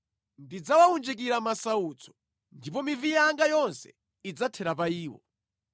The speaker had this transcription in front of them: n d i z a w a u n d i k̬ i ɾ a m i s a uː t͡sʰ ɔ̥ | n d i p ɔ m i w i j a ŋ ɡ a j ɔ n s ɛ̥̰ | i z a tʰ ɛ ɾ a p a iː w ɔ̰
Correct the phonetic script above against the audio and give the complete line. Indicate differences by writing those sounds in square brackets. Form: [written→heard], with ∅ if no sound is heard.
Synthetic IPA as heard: n d i [z→d͡z] a w a u n [d→d͡ʒ] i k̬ i ɾ a m [i→a] s a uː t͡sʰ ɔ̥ | n d i p ɔ m i [w→v] i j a ŋ ɡ a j ɔ n s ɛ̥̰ | i [z→d͡z] a tʰ ɛ ɾ a p a iː w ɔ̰